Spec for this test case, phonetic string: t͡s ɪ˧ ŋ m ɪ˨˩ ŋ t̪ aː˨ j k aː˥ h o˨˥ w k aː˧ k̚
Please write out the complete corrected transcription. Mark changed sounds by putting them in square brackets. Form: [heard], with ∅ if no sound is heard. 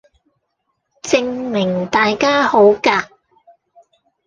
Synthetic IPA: t͡s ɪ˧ ŋ m ɪ˨˩ ŋ t̪ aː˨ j k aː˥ h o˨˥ w k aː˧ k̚